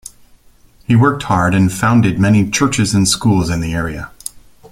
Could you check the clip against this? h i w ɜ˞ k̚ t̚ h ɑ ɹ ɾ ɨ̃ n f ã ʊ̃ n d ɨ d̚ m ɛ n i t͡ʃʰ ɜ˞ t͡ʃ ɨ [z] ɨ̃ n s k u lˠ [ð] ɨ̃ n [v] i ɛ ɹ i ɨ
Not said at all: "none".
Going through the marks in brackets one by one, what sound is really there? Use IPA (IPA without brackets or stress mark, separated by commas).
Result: z, z, ð